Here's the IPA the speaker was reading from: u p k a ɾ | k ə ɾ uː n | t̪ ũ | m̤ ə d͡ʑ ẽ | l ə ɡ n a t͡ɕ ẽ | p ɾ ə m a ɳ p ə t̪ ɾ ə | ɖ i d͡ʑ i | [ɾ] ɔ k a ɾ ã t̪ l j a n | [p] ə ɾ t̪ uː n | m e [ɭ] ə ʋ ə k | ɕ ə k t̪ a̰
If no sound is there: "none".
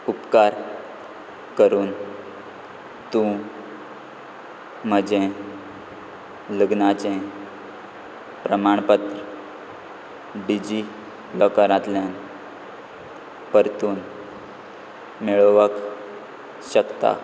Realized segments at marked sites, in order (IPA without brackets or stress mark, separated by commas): l, p, ɭ